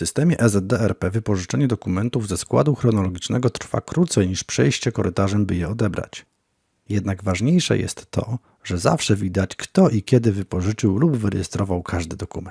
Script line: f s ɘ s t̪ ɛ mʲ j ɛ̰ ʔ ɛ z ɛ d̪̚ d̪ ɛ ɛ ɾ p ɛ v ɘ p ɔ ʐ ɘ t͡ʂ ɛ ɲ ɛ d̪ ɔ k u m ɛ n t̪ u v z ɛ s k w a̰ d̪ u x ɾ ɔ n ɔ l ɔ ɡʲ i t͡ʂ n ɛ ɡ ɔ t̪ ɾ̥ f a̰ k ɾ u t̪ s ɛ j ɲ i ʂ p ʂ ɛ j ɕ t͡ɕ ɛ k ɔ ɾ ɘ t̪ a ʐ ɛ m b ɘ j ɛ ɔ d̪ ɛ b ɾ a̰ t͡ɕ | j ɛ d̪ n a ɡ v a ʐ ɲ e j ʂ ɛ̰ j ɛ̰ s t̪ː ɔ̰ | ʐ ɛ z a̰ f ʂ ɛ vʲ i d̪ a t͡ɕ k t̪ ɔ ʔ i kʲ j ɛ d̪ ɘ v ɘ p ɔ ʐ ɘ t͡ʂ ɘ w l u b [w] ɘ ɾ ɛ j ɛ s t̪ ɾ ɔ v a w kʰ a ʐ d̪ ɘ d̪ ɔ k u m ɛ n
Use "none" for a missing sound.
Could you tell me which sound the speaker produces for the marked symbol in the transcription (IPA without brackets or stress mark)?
v